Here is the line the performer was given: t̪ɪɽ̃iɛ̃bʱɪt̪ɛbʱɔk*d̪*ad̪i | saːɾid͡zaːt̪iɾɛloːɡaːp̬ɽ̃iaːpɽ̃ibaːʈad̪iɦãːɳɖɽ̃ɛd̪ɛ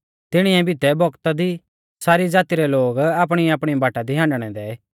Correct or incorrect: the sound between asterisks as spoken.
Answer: incorrect: t̪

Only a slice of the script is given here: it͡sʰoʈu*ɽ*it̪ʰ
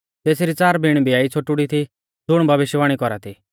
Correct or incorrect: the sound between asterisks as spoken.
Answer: correct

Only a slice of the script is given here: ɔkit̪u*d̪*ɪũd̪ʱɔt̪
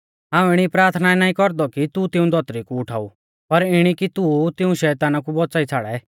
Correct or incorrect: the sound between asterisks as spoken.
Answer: incorrect: t̪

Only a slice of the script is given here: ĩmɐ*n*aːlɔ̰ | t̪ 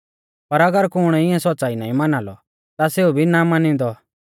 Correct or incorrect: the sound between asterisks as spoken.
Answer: correct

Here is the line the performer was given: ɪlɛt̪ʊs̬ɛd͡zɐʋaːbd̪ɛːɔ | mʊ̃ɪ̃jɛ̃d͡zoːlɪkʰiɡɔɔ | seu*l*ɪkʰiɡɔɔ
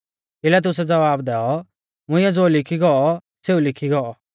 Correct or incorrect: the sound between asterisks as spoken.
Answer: correct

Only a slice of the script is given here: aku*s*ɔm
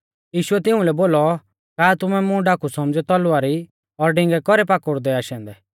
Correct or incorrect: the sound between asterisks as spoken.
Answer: correct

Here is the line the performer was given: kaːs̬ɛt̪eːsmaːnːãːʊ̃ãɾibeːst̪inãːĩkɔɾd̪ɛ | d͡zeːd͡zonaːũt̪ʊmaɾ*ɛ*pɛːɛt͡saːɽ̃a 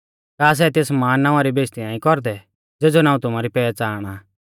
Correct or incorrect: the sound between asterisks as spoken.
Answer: incorrect: i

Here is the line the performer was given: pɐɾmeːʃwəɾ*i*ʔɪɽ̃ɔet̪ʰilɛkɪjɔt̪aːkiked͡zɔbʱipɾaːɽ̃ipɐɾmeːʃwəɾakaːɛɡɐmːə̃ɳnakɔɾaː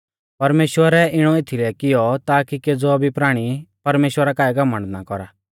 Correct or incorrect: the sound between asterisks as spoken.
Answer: incorrect: ɛ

